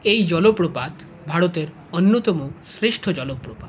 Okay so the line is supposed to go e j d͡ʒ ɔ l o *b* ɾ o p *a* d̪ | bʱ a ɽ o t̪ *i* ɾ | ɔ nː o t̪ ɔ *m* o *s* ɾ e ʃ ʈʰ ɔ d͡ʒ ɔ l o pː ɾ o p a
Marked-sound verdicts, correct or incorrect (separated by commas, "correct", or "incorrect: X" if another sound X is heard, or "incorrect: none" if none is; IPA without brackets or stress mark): incorrect: p, correct, incorrect: e, correct, correct